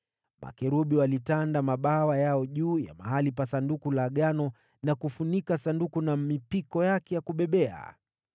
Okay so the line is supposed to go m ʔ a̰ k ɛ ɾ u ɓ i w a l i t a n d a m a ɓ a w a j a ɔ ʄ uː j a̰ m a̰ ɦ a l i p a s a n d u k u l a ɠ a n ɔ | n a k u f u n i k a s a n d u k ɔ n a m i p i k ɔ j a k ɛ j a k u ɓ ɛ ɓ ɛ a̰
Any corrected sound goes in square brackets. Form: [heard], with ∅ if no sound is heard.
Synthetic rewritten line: m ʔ a̰ k ɛ ɾ u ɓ i w a l i t a n d a m a ɓ a w a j a ɔ ʄ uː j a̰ m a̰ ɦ a l i p a s a n d u k u l a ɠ a n ɔ | n a k u f u n i k a s a n d u k [u] n a m i p i k ɔ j a k ɛ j a k u ɓ ɛ ɓ ɛ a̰